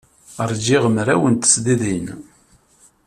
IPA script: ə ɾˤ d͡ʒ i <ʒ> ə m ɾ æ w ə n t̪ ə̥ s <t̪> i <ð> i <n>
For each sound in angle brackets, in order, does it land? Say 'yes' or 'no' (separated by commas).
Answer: no, no, yes, yes